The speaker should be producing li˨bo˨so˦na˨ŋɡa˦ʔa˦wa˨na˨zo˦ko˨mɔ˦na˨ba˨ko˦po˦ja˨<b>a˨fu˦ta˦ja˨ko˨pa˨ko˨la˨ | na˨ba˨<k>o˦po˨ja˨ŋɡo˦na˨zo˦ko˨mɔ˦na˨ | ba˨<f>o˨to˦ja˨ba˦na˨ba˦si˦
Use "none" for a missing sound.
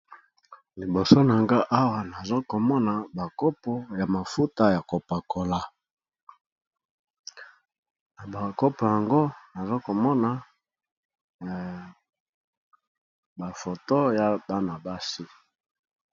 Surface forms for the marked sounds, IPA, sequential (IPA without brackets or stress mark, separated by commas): m, k, f